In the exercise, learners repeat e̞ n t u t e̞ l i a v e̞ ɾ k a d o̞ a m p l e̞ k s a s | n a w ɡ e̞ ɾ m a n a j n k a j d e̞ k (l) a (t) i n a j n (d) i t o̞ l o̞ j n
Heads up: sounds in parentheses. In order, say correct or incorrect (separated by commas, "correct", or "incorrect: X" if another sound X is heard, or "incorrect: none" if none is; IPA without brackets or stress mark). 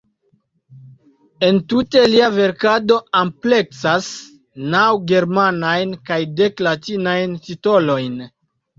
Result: correct, correct, incorrect: t